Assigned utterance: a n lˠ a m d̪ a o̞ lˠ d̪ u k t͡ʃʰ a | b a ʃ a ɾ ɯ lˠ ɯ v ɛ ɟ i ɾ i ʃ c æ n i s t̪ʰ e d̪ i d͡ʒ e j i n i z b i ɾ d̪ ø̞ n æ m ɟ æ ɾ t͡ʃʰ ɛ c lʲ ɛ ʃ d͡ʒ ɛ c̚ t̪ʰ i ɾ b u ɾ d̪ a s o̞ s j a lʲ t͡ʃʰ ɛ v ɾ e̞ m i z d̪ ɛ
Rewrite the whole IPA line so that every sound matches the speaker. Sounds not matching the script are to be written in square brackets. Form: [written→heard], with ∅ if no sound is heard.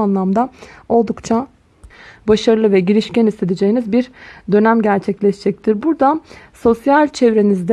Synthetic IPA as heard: a n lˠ a m d̪ a o̞ lˠ d̪ u k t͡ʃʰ a | b a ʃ a ɾ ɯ lˠ ɯ v ɛ ɟ i ɾ i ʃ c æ n i s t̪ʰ e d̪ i d͡ʒ e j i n i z b i ɾ d̪ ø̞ n æ m ɟ æ ɾ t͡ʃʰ ɛ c lʲ ɛ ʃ d͡ʒ ɛ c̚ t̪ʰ i ɾ b u ɾ d̪ a s o̞ s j a lʲ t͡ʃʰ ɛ v ɾ e̞ [m→n] i z d̪ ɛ

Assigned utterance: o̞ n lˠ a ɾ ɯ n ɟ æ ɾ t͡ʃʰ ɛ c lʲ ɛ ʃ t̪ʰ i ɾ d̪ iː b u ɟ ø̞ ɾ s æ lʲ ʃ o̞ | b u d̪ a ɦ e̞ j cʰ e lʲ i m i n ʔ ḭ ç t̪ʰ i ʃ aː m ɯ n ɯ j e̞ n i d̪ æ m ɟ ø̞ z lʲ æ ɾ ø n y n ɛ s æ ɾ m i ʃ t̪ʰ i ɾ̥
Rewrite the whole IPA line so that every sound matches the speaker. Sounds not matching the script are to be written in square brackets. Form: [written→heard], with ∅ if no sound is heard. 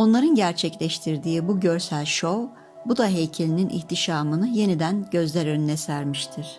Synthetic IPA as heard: o̞ n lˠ a ɾ ɯ n ɟ æ ɾ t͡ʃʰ ɛ c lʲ ɛ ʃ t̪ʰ i ɾ d̪ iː b u ɟ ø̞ ɾ s æ lʲ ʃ o̞ | b u d̪ a ɦ e̞ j cʰ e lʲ i [m→n] i n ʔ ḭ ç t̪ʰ i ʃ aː m ɯ n ɯ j e̞ n i d̪ æ [m→n] ɟ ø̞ z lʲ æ ɾ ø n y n ɛ s æ ɾ m i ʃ t̪ʰ i ɾ̥

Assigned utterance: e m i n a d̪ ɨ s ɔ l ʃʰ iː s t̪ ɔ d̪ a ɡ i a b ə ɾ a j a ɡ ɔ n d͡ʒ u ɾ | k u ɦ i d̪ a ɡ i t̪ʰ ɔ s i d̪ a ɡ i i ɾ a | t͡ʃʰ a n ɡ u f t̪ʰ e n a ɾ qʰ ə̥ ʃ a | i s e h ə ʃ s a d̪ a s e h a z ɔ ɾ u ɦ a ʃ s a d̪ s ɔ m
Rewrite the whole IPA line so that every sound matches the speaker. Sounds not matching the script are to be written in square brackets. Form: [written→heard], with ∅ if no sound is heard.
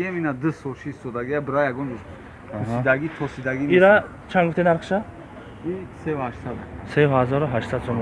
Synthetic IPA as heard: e m i n a d̪ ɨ s ɔ l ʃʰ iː s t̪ ɔ d̪ a ɡ i a b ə ɾ a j a ɡ ɔ n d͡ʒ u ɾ | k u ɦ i d̪ a ɡ i t̪ʰ ɔ s i d̪ a ɡ i i ɾ a | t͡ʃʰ a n ɡ u f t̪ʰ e n a ɾ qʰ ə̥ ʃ a | i s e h [ə→a] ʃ s a d̪ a s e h a z ɔ ɾ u ɦ a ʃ s a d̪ s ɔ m

